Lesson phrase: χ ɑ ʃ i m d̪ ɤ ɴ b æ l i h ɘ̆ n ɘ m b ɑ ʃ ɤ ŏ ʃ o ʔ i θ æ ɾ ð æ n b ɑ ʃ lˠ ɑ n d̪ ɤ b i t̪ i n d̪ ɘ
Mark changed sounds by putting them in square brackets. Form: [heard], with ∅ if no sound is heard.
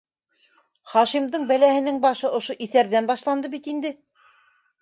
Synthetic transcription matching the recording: χ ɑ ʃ i m d̪ ɤ ɴ b æ l [æ] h ɘ̆ n ɘ [ŋ] b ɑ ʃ ɤ ŏ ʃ o ʔ i θ æ ɾ ð æ n b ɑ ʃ lˠ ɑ n d̪ ɤ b i t̪ i n d̪ ɘ